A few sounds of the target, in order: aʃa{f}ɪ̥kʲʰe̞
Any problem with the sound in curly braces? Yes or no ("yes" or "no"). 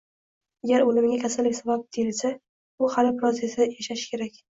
yes